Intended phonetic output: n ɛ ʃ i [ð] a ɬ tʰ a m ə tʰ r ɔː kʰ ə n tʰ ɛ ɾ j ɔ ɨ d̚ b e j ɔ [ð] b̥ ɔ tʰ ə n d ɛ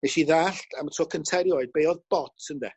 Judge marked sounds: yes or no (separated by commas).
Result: yes, yes